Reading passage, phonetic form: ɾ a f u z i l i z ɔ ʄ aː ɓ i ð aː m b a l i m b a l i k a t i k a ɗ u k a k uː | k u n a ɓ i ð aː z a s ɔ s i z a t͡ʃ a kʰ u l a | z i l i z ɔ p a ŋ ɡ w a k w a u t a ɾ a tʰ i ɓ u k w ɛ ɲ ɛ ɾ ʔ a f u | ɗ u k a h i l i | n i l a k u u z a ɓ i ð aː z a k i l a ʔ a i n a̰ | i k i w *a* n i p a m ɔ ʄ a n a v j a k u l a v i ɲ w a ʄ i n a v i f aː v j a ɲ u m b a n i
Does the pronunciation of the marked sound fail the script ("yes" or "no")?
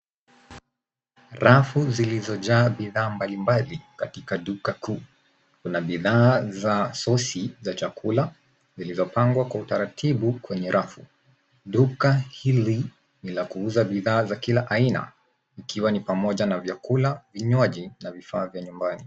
no